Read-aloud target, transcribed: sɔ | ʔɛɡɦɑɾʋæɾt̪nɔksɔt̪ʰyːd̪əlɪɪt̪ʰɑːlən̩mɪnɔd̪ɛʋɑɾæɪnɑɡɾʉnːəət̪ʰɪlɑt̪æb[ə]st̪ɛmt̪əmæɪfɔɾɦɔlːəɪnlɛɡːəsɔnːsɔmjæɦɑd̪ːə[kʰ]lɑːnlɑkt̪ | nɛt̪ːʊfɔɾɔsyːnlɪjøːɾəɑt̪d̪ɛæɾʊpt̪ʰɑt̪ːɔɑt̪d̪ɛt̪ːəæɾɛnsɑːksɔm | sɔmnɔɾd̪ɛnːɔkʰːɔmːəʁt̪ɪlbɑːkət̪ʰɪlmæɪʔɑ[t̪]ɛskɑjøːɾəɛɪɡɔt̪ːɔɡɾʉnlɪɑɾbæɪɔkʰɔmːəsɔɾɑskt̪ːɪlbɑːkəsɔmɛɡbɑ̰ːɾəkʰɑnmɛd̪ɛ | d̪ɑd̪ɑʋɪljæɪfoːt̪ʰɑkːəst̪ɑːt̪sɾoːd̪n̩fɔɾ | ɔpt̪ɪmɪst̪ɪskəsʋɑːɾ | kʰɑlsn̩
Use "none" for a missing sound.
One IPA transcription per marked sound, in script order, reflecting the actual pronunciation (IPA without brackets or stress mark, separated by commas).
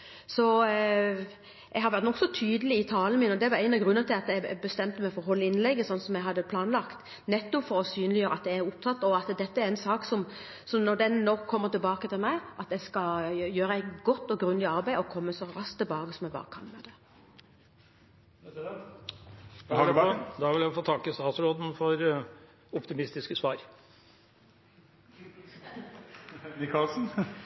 ə, pʰ, t̪